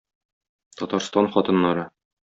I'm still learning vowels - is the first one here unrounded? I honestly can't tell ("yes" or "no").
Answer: no